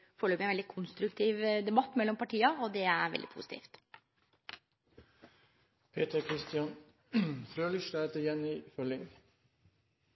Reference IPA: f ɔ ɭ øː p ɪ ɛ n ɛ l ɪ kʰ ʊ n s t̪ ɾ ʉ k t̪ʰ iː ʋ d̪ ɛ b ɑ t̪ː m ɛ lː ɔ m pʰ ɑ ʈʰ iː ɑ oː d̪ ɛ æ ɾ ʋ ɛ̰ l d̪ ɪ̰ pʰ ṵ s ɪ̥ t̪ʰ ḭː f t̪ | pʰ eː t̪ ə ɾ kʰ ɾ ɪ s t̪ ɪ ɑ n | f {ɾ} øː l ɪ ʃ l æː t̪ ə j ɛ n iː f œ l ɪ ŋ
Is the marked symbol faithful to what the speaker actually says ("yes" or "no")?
yes